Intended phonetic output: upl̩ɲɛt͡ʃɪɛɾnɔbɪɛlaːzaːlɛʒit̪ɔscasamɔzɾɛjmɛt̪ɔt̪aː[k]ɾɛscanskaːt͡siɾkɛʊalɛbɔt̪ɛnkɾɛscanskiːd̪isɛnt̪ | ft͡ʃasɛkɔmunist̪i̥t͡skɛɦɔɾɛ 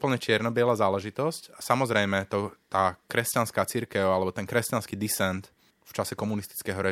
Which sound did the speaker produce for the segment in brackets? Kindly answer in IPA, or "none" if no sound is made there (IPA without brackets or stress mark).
k